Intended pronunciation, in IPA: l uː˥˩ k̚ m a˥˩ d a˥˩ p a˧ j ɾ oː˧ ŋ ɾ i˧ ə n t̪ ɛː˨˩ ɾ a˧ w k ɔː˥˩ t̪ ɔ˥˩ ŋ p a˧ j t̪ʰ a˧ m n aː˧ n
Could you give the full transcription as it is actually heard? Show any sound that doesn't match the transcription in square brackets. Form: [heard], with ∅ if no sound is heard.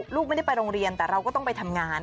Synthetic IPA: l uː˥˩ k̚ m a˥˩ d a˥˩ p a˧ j ɾ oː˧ ŋ ɾ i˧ ə n t̪ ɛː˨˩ ɾ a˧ w k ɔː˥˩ t̪ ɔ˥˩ ŋ p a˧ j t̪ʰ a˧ m [ŋ] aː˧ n